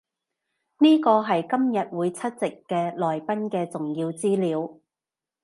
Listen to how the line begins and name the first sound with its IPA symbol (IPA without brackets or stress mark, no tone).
n